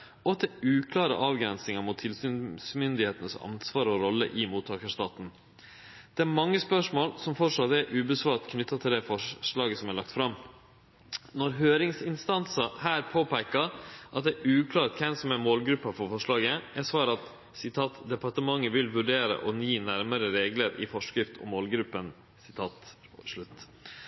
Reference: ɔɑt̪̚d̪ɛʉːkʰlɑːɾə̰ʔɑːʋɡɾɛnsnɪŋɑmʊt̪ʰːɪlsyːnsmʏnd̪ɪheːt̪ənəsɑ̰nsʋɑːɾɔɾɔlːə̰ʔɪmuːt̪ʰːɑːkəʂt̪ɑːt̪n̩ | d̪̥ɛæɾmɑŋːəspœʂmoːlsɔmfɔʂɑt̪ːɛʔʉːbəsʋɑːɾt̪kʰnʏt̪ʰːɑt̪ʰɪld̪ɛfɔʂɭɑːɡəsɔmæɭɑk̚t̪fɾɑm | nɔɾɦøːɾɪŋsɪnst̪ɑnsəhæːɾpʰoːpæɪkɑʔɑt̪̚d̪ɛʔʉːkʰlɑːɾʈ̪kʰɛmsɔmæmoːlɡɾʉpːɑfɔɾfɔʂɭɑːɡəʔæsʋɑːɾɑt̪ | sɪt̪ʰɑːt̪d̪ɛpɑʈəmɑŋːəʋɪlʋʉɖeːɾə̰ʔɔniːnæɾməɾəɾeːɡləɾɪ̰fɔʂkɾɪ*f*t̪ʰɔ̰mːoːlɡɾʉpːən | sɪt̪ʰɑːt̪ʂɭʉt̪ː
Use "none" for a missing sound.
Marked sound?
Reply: f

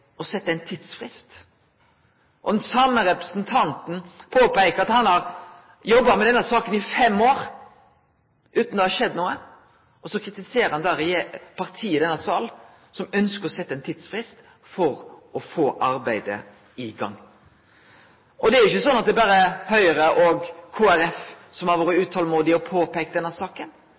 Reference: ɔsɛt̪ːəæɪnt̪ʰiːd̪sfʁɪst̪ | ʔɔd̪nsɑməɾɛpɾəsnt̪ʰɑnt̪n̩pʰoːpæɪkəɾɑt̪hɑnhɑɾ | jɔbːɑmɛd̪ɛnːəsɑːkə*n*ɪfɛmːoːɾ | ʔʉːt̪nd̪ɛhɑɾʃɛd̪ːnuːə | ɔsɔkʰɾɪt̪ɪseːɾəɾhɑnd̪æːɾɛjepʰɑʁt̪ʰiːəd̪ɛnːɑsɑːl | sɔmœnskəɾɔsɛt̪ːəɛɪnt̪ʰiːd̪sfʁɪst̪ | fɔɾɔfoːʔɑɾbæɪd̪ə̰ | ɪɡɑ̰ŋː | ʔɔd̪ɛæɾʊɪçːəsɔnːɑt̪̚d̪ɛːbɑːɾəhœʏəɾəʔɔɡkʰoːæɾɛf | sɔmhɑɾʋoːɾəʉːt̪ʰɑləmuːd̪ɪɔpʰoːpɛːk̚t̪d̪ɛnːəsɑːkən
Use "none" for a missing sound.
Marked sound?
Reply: n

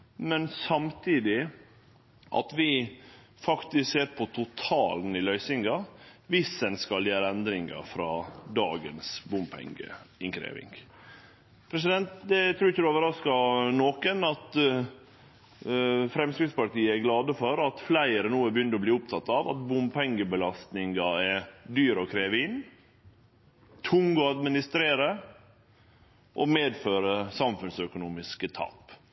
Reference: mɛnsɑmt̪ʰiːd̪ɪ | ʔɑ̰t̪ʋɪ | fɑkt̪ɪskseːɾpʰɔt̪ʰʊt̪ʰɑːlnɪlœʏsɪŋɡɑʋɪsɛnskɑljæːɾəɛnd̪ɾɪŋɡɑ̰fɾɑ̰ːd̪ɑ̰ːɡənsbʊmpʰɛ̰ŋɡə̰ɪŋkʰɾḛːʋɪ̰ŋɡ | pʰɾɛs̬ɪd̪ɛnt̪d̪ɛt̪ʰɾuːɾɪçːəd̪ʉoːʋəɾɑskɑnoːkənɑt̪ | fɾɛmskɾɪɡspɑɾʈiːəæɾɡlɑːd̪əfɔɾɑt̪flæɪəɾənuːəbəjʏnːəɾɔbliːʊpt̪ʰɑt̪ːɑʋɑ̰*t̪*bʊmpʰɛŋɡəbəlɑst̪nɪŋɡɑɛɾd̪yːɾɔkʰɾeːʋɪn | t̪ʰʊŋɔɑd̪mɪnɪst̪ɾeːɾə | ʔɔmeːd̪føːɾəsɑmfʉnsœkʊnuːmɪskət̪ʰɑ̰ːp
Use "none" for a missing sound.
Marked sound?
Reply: t̪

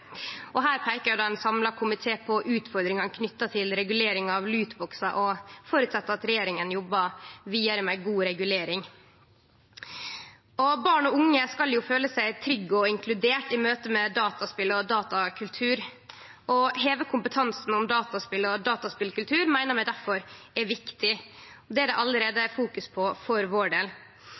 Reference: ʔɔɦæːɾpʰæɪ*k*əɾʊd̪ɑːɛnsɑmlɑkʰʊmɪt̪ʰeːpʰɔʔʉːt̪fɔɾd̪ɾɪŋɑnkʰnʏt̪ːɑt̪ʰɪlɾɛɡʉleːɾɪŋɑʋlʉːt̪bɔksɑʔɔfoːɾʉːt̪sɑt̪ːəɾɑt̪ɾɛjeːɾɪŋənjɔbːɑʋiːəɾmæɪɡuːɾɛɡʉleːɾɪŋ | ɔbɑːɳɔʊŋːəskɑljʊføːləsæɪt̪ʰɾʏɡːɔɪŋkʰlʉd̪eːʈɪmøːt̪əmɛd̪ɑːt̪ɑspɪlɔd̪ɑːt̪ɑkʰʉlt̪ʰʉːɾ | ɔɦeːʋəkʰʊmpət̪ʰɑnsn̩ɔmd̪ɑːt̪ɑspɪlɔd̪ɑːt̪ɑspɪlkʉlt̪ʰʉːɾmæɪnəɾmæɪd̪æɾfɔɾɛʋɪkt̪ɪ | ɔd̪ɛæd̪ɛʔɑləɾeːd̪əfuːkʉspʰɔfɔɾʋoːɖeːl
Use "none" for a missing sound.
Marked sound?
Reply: k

